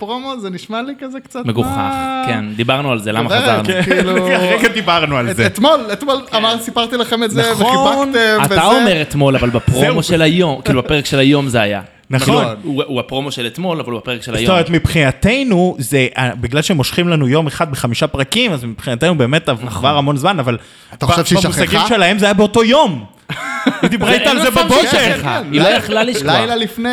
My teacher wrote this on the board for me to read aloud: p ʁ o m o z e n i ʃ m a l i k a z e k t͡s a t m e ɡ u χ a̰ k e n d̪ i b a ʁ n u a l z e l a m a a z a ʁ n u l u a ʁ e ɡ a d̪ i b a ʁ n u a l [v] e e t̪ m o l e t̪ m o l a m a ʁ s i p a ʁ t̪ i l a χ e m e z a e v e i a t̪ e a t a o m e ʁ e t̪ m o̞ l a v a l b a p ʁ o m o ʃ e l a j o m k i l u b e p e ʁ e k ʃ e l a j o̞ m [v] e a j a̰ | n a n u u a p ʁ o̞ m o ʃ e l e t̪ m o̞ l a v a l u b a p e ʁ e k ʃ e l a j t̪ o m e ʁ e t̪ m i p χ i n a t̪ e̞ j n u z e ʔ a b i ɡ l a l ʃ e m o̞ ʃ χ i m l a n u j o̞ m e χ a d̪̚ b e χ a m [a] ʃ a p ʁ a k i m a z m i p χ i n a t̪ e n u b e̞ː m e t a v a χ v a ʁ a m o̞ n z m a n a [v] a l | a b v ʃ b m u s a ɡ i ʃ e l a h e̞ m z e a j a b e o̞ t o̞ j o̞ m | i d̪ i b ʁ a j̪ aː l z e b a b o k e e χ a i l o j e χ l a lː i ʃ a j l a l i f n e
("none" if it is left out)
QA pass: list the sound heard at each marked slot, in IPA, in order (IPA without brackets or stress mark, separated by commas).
z, z, i, v